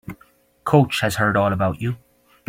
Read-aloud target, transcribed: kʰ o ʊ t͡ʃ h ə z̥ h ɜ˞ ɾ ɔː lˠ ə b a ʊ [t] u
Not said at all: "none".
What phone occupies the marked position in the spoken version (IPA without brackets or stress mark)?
t͡ʃ